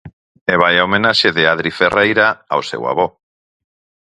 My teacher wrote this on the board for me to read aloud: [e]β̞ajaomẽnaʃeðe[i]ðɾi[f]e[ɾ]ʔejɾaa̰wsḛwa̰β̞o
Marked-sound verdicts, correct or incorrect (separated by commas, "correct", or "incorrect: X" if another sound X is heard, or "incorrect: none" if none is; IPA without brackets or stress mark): correct, incorrect: a, correct, incorrect: r